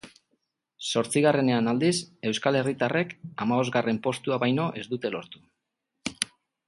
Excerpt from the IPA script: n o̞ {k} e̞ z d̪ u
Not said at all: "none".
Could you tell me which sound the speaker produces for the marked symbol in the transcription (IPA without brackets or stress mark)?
ʔ